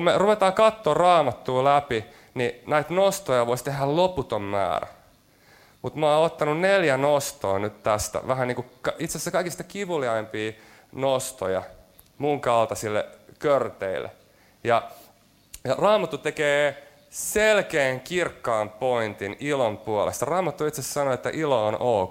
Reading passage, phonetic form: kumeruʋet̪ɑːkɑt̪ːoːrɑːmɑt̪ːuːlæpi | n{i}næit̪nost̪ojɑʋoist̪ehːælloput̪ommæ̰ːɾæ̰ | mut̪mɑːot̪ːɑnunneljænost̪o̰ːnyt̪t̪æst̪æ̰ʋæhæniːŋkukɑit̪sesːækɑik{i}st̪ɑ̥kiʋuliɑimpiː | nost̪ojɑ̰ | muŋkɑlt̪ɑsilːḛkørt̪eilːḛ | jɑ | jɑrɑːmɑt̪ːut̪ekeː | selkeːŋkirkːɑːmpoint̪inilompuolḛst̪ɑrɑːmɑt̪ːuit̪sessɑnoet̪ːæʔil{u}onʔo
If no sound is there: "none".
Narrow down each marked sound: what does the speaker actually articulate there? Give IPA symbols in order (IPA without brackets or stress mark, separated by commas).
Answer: i, i, o